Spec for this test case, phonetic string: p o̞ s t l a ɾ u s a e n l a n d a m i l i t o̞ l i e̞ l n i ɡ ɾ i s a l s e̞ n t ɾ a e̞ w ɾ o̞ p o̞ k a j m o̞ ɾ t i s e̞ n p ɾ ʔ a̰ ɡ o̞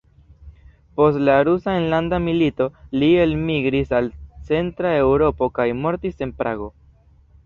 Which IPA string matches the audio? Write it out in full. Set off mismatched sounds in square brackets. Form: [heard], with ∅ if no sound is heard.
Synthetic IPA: p o̞ s t l a ɾ u s a e n l a n d a m i l i t o̞ l i e̞ l [m] i ɡ ɾ i s a l [t͡s] e̞ n t ɾ a e̞ w ɾ o̞ p o̞ k a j m o̞ ɾ t i s e̞ n p ɾ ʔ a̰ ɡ o̞